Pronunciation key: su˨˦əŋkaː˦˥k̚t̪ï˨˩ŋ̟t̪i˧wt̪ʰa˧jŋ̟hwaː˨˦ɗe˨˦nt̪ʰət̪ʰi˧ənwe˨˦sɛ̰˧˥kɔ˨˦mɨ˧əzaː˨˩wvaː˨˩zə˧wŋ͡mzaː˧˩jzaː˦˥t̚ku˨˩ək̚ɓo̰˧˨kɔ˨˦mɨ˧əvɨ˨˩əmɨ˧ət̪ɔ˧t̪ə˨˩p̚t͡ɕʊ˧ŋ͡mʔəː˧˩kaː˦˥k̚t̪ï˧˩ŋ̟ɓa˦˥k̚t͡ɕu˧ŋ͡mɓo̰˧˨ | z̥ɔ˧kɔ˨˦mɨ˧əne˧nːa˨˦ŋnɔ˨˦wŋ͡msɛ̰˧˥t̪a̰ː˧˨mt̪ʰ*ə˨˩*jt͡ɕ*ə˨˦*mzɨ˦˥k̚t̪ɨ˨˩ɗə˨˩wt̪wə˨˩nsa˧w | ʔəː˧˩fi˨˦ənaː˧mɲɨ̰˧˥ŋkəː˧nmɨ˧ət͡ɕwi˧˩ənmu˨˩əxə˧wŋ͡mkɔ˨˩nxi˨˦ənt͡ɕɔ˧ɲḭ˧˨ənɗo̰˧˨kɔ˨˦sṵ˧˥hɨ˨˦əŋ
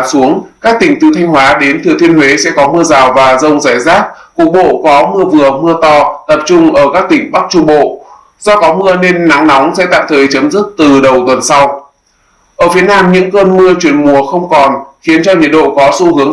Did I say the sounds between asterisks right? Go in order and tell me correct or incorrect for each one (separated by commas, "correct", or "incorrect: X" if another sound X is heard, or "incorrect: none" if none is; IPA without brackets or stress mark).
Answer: incorrect: əː˨˩, correct